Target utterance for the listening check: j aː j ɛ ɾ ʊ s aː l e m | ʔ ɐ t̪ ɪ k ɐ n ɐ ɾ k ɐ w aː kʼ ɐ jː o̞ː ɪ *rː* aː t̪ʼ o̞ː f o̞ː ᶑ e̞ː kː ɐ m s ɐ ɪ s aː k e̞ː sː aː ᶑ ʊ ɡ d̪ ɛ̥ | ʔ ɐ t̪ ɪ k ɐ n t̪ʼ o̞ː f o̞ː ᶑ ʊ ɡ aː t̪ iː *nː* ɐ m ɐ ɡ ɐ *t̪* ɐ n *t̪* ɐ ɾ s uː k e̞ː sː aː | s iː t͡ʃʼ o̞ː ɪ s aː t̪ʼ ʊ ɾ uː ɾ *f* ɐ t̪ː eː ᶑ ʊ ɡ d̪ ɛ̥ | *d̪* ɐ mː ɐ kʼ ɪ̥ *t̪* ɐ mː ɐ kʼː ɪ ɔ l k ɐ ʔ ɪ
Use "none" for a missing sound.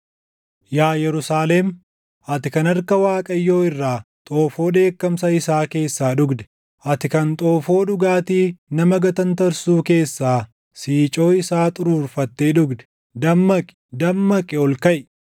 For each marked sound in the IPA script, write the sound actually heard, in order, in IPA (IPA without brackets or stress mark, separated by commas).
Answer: rː, n, t̪, t̪, f, d̪, d̪